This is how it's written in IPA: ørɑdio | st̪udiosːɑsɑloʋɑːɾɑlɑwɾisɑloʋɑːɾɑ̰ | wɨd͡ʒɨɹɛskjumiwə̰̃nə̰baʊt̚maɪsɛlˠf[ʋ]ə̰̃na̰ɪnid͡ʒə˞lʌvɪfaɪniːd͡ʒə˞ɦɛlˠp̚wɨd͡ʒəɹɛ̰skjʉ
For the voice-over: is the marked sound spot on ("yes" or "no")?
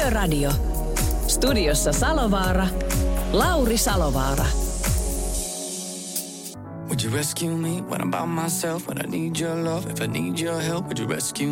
no